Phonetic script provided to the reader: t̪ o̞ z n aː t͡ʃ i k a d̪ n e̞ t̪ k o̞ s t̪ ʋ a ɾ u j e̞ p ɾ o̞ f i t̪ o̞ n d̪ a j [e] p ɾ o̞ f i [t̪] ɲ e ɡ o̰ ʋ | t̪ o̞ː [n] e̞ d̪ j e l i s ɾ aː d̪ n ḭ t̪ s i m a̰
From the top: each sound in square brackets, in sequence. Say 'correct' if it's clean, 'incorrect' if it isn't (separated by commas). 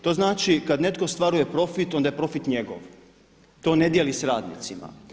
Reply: correct, correct, correct